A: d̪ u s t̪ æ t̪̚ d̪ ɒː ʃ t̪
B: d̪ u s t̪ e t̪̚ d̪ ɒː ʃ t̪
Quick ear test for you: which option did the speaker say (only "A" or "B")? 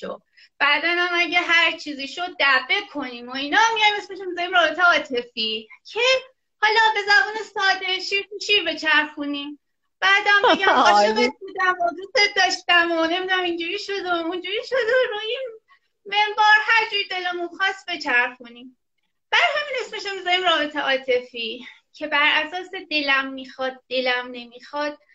B